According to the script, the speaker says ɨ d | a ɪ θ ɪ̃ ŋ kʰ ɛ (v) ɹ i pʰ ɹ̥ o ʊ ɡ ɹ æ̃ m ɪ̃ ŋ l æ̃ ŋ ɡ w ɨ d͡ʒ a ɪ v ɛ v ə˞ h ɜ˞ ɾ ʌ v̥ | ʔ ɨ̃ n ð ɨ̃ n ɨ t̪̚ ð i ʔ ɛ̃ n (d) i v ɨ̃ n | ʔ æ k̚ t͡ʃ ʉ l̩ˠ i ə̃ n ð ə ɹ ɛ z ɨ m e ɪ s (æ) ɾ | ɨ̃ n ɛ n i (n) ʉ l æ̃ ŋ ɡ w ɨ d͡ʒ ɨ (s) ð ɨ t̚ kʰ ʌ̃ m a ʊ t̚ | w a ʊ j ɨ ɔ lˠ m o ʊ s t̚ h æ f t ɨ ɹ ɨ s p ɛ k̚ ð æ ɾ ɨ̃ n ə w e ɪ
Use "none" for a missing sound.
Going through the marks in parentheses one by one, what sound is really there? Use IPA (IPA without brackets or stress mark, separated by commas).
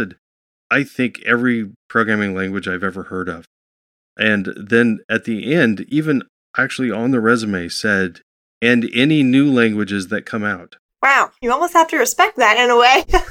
v, d, ɛ, n, z